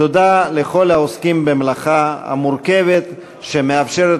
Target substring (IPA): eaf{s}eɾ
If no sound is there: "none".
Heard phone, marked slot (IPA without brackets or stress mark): ʃ